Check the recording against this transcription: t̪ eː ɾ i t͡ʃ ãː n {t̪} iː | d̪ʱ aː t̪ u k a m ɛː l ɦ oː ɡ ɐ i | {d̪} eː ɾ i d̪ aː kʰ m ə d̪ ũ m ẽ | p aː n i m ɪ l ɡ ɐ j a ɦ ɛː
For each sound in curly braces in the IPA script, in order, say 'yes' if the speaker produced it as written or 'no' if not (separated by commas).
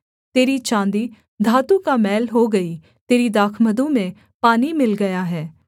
no, no